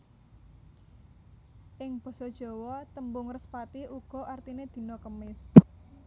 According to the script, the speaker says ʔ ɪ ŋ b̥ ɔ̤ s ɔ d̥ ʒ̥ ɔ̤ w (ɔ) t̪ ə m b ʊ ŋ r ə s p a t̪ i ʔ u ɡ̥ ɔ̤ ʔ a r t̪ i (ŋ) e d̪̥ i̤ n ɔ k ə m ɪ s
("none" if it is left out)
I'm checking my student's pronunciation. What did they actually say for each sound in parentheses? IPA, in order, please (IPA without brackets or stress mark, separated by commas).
ɔ, n